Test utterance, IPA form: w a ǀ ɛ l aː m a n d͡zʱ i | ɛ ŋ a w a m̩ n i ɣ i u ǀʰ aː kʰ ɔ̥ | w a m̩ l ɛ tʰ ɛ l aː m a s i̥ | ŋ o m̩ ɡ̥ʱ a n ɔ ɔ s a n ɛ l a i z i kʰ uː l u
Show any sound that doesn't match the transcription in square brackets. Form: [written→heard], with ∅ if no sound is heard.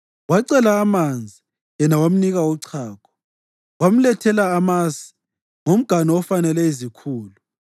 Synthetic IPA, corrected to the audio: w a ǀ ɛ l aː m a n d͡zʱ i | ɛ [ŋ→n] a w a m̩ n i ɣ [i→a] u ǀʰ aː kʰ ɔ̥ | w a m̩ l ɛ tʰ ɛ l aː m a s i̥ | ŋ o m̩ ɡ̥ʱ a n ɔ ɔ [s→f] a n ɛ l [a→ɛ] i z i kʰ uː l u